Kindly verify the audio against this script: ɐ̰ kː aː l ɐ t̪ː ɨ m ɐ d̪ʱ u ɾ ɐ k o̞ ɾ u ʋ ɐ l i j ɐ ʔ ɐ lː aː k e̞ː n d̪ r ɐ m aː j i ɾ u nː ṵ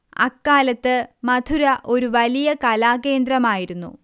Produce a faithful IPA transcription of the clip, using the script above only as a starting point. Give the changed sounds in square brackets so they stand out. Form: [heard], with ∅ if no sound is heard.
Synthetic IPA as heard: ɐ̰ kː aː l ɐ t̪ː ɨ m ɐ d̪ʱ u ɾ ɐ [ʔ] o̞ ɾ u ʋ ɐ l i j ɐ [k] ɐ [l] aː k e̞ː n d̪ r ɐ m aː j i ɾ u nː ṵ

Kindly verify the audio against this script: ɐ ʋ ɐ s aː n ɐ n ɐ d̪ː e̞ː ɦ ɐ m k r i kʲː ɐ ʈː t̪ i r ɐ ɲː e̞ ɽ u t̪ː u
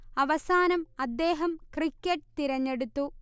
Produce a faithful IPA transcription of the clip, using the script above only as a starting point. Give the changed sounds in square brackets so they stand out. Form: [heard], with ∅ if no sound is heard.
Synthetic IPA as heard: ɐ ʋ ɐ s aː n ɐ [m] ɐ d̪ː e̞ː ɦ ɐ m k r i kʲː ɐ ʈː t̪ i [ɾ] ɐ ɲː e̞ ɽ u t̪ː u

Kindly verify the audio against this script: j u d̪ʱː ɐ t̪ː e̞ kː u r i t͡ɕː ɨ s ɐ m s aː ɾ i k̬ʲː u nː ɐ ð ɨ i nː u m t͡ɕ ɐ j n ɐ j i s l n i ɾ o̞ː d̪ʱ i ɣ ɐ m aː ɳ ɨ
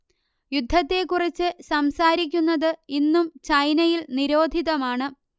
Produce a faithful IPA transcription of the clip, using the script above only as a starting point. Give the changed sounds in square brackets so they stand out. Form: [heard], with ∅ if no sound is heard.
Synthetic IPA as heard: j u d̪ʱː ɐ t̪ː e̞ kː u r i t͡ɕː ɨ s ɐ m s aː ɾ i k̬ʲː u nː ɐ ð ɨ i nː u m t͡ɕ ɐ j n ɐ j i [∅] l n i ɾ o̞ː d̪ʱ i [ð] ɐ m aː ɳ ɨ

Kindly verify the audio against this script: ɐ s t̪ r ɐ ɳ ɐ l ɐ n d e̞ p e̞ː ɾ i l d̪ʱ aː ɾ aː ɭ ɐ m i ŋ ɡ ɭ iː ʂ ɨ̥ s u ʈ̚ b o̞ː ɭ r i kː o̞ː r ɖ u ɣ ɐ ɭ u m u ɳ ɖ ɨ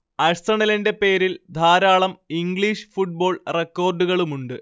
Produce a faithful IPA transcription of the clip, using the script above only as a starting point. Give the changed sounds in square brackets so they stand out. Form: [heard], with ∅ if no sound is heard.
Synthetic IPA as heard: ɐ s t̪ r ɐ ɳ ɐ l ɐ n d e̞ p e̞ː ɾ i l d̪ʱ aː ɾ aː ɭ ɐ m i ŋ ɡ ɭ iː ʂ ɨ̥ [f] u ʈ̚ b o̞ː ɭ r [e] kː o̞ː r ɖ u ɣ ɐ ɭ u m u ɳ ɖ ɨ

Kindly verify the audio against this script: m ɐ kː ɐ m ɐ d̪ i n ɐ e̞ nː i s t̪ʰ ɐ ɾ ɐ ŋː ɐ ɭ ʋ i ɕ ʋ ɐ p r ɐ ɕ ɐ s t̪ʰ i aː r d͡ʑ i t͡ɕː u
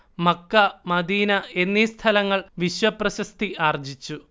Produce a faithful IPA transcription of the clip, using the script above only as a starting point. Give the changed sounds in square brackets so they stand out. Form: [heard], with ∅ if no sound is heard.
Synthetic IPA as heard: m ɐ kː ɐ m ɐ d̪ [iː] n ɐ e̞ nː i s t̪ʰ ɐ [l] ɐ ŋː ɐ ɭ ʋ i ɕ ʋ ɐ p r ɐ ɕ ɐ s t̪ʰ i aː r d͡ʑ i t͡ɕː u

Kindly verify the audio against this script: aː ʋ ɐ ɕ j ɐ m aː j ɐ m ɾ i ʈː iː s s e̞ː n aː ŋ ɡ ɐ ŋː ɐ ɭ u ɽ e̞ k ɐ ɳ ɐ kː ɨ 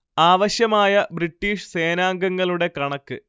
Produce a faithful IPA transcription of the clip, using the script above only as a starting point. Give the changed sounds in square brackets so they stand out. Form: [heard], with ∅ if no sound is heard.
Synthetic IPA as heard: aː ʋ ɐ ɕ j ɐ m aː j ɐ [b] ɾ i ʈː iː [ʂ] s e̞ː n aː ŋ ɡ ɐ ŋː ɐ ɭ u ɽ e̞ k ɐ ɳ ɐ kː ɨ

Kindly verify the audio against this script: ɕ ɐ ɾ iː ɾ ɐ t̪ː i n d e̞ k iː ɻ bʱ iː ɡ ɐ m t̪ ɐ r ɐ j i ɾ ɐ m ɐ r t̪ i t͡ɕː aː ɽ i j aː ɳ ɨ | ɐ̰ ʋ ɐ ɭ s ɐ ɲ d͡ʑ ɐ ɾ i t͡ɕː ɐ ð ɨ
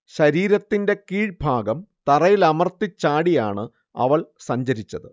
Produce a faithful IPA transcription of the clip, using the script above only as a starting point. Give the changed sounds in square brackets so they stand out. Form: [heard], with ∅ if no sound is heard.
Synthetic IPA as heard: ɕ ɐ ɾ iː ɾ ɐ t̪ː i n d e̞ k iː ɻ bʱ [aː] ɡ ɐ m t̪ ɐ r ɐ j i [l] ɐ m ɐ r t̪ i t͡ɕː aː ɽ i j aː ɳ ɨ | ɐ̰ ʋ ɐ ɭ s ɐ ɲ d͡ʑ ɐ ɾ i t͡ɕː ɐ ð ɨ

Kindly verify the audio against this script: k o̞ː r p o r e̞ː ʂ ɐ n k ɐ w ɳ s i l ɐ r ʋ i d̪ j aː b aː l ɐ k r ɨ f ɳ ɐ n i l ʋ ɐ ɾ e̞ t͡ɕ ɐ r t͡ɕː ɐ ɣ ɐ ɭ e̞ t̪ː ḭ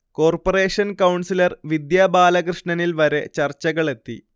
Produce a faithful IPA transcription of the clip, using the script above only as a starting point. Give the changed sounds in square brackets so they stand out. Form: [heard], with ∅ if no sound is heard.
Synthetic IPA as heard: k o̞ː r p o r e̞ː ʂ ɐ n k ɐ w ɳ s i l ɐ r ʋ i d̪ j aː b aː l ɐ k r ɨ [ʂ] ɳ ɐ n i l ʋ ɐ ɾ e̞ t͡ɕ ɐ r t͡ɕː ɐ ɣ ɐ ɭ e̞ t̪ː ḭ

